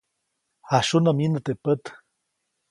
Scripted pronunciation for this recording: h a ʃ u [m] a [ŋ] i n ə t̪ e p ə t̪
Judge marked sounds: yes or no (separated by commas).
no, no